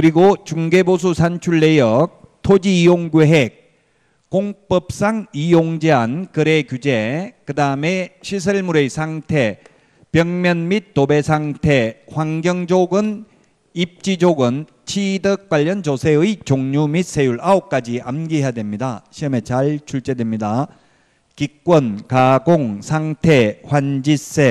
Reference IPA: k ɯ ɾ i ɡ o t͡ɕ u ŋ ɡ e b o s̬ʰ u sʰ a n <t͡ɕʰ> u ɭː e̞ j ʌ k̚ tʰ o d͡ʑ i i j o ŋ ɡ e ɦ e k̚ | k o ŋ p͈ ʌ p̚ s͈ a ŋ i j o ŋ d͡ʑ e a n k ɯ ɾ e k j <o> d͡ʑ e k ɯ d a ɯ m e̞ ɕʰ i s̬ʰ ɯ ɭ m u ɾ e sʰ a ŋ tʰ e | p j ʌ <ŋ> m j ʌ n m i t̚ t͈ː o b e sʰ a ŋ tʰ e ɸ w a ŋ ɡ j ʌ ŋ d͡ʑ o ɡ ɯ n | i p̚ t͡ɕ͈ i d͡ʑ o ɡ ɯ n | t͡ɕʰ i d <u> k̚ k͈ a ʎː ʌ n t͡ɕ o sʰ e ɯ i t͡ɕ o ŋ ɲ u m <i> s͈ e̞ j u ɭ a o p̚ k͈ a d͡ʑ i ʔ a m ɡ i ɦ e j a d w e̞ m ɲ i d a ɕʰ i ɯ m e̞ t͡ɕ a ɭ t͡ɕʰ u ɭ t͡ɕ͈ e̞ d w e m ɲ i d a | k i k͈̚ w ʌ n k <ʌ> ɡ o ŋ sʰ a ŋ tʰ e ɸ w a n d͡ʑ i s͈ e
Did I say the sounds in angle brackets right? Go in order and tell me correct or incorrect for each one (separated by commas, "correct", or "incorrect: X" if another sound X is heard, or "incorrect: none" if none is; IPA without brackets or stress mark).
correct, incorrect: u, correct, incorrect: ɯ, correct, incorrect: a